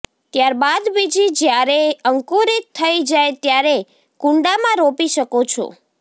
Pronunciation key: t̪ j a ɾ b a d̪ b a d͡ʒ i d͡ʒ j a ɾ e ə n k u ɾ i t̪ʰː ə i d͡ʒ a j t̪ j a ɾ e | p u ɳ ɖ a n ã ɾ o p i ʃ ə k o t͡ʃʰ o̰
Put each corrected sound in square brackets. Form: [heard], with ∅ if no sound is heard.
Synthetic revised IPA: t̪ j a ɾ b a d̪ b [i] d͡ʒ i d͡ʒ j a ɾ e ə [ŋ] k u ɾ i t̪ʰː ə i d͡ʒ a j t̪ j a ɾ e | [k] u ɳ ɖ a [m] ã ɾ o p i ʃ ə k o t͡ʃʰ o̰